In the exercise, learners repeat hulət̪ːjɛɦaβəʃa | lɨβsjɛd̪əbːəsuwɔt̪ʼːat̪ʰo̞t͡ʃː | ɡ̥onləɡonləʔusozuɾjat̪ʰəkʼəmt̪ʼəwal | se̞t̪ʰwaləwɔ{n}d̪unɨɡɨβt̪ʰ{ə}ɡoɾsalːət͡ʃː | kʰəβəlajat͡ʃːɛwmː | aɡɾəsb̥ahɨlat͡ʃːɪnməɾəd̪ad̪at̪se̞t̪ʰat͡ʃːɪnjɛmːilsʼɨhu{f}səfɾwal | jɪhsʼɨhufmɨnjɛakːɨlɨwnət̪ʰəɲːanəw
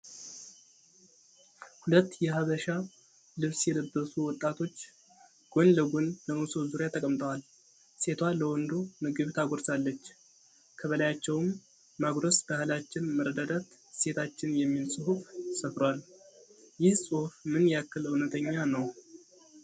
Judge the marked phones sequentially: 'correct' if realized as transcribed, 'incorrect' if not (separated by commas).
correct, incorrect, correct